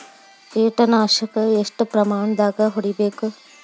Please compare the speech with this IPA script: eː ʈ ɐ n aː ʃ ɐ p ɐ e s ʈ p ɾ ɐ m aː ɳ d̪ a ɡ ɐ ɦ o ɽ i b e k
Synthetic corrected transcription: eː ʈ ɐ n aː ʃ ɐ k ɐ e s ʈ p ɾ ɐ m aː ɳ d̪ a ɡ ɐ ɦ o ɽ i b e k